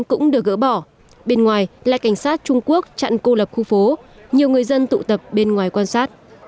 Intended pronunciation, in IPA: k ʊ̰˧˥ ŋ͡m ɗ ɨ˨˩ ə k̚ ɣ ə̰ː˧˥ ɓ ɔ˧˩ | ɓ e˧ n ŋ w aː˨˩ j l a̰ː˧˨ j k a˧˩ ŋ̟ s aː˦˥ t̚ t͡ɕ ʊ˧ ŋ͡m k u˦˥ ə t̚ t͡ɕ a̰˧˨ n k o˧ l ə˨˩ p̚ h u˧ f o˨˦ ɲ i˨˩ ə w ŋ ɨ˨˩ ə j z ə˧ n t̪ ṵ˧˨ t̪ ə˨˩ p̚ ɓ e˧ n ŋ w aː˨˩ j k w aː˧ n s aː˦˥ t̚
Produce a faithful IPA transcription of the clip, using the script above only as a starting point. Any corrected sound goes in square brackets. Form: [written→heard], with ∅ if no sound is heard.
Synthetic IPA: k ʊ̰˧˥ ŋ͡m ɗ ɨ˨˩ ə k̚ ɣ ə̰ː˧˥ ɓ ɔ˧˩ | ɓ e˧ n ŋ w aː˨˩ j l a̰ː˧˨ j k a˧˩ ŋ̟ s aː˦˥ t̚ t͡ɕ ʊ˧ ŋ͡m k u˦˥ ə [t̚→k̚] t͡ɕ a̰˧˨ n k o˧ l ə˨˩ p̚ [h→x] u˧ f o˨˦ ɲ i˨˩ ə w ŋ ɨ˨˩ ə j z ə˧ n t̪ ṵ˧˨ t̪ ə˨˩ p̚ ɓ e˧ n ŋ w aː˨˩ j k w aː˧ n s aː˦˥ t̚

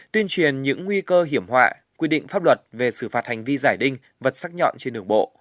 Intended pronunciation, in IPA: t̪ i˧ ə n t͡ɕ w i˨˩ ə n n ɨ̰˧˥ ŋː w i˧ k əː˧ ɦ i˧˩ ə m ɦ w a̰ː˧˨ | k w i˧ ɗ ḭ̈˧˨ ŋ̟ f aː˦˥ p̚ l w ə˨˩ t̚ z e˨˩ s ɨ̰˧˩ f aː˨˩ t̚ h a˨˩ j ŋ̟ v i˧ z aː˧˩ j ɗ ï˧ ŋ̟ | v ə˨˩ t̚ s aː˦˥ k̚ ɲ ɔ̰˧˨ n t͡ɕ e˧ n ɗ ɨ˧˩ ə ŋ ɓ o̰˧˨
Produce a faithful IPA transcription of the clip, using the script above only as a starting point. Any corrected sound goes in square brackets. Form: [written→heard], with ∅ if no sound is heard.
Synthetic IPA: t̪ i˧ ə n t͡ɕ w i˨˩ ə n [n→ɲ] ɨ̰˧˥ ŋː w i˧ k əː˧ ɦ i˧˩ ə m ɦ w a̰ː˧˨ | k w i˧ ɗ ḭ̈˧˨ ŋ̟ f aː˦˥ p̚ l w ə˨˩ t̚ [z→v] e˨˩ s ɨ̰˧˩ f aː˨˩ t̚ h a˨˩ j ŋ̟ v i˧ z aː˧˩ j ɗ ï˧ ŋ̟ | v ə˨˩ t̚ s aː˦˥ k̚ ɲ ɔ̰˧˨ n t͡ɕ e˧ n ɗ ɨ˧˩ ə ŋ ɓ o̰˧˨

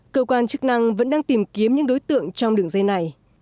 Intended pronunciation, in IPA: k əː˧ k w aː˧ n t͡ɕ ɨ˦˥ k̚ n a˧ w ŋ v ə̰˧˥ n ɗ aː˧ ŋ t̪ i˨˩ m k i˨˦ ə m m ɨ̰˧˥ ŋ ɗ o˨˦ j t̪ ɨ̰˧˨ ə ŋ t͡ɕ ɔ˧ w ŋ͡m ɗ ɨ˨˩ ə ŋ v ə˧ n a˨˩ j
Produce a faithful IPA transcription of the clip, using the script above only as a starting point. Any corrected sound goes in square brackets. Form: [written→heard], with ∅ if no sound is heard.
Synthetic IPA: k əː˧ k w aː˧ n t͡ɕ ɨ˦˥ k̚ n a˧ [w→∅] ŋ v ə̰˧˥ n ɗ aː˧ ŋ t̪ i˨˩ m k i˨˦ ə m [m→ɲ] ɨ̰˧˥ ŋ ɗ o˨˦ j t̪ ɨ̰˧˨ ə ŋ t͡ɕ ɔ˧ w ŋ͡m ɗ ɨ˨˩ ə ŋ [v→z] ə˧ n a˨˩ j

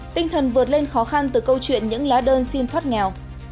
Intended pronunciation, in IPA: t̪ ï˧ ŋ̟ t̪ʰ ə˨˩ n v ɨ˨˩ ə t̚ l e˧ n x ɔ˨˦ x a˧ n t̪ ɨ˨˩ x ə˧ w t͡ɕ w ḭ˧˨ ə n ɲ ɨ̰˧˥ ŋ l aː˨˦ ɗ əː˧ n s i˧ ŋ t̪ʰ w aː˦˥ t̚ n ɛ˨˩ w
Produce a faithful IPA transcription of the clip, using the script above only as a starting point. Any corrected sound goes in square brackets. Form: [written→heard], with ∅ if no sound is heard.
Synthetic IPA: t̪ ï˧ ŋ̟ t̪ʰ ə˨˩ n v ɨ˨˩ ə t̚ l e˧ n x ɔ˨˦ x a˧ n t̪ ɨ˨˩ [x→k] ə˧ w t͡ɕ w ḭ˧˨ ə n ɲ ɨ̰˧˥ ŋ l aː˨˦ ɗ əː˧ n s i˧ [ŋ→n] t̪ʰ w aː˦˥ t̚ [n→ŋ] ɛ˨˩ w

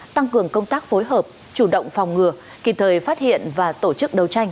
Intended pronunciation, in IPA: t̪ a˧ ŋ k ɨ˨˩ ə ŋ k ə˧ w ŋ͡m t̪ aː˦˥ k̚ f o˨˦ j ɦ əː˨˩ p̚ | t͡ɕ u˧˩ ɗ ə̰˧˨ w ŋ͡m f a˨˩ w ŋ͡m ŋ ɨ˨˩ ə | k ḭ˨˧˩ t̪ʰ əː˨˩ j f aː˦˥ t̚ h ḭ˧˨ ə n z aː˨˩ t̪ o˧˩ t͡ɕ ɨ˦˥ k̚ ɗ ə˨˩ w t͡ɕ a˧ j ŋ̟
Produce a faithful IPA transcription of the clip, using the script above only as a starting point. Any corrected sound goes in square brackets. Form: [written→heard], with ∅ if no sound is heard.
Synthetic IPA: t̪ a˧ ŋ k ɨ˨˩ ə ŋ k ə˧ w ŋ͡m t̪ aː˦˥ k̚ f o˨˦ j ɦ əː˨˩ p̚ | t͡ɕ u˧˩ ɗ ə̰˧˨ w ŋ͡m f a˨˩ w ŋ͡m ŋ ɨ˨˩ ə | k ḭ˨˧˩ t̪ʰ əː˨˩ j f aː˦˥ t̚ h ḭ˧˨ ə n [z→v] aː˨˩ t̪ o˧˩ t͡ɕ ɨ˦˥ k̚ ɗ ə˨˩ w t͡ɕ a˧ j ŋ̟

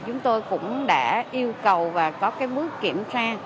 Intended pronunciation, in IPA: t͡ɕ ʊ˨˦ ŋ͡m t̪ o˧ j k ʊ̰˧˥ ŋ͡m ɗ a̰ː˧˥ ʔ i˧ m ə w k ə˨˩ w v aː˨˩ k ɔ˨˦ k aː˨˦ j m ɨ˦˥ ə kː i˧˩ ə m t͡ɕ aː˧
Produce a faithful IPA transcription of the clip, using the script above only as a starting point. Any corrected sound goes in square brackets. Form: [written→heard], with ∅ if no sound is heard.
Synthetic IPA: t͡ɕ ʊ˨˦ ŋ͡m t̪ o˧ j k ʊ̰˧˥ ŋ͡m ɗ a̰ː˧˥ ʔ i˧ [m→∅] ə w k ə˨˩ w v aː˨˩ k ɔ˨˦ k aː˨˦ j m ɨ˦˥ ə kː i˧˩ ə m t͡ɕ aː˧

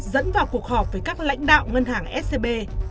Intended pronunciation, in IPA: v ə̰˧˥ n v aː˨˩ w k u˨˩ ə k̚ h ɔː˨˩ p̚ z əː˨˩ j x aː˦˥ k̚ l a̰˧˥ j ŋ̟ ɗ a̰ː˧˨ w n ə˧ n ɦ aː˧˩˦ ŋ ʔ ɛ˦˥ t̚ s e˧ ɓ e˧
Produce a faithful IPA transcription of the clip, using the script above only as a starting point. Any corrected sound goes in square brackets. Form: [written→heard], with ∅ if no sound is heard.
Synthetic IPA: [v→z] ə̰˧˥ n v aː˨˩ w k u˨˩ ə k̚ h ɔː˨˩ p̚ [z→v] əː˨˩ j [x→k] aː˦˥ k̚ l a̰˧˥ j ŋ̟ ɗ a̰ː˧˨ w [n→ŋ] ə˧ n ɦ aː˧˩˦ ŋ ʔ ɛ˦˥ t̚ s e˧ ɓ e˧

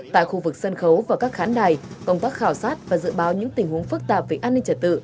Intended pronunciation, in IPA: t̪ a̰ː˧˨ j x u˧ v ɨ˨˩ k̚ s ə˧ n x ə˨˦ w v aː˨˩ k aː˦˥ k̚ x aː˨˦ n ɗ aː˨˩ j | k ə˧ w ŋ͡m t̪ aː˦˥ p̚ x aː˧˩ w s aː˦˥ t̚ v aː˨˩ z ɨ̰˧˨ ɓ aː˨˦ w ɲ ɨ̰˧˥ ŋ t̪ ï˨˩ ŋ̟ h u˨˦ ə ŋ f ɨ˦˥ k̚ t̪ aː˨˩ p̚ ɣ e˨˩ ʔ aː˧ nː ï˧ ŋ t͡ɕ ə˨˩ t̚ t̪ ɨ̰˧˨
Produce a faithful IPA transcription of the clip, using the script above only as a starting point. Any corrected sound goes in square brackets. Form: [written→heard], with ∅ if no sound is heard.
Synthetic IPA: t̪ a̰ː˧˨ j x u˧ v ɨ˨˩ k̚ s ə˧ n x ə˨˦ w v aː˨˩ k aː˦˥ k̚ x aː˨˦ n ɗ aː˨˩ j | k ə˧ w ŋ͡m t̪ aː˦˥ [p̚→k̚] x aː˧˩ w s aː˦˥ t̚ v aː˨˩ z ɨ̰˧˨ ɓ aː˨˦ w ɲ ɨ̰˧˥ ŋ t̪ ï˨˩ ŋ̟ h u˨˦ ə ŋ f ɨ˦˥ k̚ t̪ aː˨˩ p̚ [ɣ→v] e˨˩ ʔ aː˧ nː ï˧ ŋ t͡ɕ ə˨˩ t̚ t̪ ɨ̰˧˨

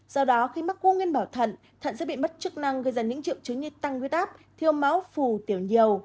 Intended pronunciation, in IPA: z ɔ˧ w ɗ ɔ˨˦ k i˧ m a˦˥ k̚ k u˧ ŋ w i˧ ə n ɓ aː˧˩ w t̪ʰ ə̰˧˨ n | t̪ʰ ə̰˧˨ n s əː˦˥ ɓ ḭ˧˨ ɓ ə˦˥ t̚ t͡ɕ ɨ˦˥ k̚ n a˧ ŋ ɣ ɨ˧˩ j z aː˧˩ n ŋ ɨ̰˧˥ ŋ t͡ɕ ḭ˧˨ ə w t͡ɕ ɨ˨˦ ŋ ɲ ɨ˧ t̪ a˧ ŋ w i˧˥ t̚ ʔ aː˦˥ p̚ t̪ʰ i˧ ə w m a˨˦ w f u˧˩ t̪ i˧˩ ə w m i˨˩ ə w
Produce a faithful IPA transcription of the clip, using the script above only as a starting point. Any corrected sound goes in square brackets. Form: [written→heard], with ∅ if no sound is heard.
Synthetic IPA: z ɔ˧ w ɗ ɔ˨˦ [k→x] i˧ m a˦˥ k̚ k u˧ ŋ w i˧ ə n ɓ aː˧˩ w t̪ʰ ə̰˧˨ n | t̪ʰ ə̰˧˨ n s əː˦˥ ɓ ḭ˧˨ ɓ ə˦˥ t̚ t͡ɕ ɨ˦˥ k̚ n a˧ ŋ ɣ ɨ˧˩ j z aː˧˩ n [ŋ→ɲ] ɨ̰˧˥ ŋ t͡ɕ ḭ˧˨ ə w t͡ɕ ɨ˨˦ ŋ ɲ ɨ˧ t̪ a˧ ŋ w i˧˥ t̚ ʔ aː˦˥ p̚ t̪ʰ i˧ ə w m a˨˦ w f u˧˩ t̪ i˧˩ ə w [m→ɲ] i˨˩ ə w

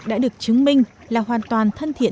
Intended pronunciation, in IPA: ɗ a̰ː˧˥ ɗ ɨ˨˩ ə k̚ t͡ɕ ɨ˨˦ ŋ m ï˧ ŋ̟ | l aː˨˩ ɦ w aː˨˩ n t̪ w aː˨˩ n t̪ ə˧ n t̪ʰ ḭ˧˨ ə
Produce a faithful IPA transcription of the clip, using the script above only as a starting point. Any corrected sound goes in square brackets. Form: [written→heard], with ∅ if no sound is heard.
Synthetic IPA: ɗ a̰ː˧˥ ɗ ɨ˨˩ ə k̚ t͡ɕ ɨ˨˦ ŋ m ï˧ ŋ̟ | l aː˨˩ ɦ w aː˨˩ n t̪ w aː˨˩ n [t̪→t̪ʰ] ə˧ n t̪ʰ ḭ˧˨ ə

